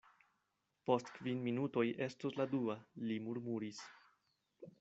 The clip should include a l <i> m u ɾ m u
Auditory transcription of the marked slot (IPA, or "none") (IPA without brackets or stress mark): i